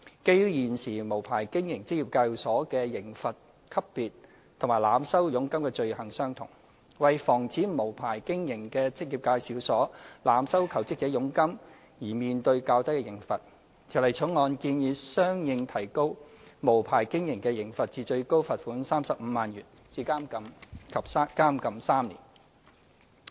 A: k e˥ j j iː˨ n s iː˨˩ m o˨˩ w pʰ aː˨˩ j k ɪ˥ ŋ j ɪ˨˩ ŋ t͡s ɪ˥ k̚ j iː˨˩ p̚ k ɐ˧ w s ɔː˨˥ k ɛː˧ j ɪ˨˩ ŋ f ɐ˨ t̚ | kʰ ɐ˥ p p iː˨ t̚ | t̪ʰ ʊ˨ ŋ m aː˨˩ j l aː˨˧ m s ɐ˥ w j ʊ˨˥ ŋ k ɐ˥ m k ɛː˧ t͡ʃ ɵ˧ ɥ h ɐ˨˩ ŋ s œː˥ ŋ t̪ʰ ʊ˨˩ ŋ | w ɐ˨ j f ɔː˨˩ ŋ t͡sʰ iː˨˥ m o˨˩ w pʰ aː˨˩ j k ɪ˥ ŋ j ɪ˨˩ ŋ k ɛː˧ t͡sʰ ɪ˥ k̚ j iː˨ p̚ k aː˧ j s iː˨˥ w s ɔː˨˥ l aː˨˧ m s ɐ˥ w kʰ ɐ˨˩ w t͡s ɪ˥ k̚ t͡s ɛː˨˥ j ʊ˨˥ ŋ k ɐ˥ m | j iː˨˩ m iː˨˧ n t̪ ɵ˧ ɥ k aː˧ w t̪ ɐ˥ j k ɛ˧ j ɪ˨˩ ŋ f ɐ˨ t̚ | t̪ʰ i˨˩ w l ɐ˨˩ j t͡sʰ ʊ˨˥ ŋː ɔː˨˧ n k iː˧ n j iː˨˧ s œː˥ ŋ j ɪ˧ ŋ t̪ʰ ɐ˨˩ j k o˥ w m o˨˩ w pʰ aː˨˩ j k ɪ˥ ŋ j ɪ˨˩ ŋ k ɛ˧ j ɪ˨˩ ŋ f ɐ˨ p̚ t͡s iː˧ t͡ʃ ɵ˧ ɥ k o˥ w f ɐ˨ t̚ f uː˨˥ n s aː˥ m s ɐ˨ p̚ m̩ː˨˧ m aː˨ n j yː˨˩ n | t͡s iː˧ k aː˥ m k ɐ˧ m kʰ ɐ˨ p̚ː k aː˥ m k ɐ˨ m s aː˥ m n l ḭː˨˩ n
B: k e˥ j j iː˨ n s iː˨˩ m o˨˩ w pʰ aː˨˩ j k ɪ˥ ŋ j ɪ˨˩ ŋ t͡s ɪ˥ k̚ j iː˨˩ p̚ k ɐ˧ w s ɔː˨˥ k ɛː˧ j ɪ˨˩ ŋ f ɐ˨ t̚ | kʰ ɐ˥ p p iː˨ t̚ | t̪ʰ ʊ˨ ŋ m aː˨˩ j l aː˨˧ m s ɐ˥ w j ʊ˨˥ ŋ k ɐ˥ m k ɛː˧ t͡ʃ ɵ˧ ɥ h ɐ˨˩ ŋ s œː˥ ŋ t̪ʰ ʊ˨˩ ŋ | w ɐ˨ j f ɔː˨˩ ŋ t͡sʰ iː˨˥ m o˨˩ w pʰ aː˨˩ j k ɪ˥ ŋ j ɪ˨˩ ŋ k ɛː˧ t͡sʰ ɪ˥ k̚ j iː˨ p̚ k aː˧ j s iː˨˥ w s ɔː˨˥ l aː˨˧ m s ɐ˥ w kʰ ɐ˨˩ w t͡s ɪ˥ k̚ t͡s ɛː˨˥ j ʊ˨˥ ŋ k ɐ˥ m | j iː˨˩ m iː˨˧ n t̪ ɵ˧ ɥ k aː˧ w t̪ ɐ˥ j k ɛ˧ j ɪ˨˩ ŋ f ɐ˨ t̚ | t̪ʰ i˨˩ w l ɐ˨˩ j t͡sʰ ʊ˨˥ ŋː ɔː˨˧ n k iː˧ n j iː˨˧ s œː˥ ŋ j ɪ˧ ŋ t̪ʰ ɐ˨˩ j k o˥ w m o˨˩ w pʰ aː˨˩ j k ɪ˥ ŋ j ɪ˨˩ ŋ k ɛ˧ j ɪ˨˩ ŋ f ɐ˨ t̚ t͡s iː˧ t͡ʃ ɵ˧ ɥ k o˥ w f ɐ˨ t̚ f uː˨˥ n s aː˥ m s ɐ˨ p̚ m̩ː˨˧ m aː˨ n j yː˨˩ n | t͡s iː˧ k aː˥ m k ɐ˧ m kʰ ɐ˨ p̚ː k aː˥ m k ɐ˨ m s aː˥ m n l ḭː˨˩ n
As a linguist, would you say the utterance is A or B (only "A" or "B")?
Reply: B